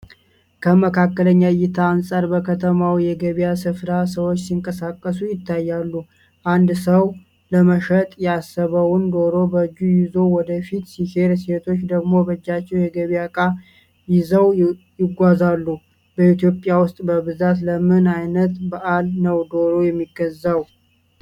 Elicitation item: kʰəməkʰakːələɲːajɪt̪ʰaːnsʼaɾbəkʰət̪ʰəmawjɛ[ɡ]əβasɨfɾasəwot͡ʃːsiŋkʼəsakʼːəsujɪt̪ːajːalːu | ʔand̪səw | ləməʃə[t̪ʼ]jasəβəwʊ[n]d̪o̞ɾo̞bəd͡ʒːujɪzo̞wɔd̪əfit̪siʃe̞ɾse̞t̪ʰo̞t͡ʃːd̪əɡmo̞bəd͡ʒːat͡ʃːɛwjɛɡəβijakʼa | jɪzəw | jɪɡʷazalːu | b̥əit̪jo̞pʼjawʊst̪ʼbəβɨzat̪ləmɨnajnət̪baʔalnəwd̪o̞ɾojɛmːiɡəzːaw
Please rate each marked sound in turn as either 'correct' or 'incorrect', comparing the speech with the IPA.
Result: correct, correct, correct

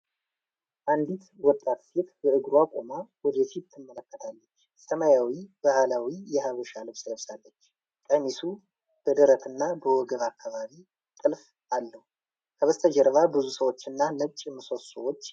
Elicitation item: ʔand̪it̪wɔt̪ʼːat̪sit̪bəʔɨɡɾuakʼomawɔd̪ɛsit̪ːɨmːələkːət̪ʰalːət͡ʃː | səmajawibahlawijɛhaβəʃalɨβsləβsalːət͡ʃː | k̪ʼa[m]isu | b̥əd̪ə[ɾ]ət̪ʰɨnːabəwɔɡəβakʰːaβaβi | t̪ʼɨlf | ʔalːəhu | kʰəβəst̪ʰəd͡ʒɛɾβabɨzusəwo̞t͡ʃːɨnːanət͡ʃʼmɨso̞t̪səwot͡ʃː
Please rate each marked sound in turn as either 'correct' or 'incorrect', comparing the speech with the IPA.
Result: correct, correct

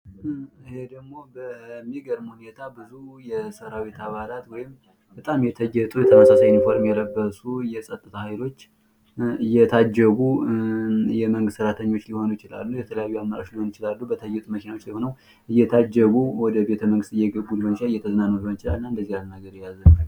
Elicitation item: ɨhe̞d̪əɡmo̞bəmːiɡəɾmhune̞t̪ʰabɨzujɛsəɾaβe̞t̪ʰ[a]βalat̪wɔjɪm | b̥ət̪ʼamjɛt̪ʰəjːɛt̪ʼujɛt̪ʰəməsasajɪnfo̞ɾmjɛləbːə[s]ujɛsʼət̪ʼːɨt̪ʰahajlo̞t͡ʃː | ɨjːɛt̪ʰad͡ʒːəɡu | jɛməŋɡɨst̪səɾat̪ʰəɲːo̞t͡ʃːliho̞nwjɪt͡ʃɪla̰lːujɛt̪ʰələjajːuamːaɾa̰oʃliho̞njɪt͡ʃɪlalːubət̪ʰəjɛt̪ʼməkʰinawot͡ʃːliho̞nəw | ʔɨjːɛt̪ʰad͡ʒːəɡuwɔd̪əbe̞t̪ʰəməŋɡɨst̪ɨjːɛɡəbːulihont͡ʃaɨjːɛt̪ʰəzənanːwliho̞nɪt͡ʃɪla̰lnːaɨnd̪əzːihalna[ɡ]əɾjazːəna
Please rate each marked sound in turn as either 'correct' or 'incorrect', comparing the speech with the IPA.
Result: correct, correct, correct

